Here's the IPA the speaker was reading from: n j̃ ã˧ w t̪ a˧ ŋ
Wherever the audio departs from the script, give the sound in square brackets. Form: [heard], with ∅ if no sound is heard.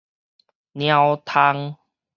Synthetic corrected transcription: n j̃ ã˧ w [t̪ʰ] a˧ ŋ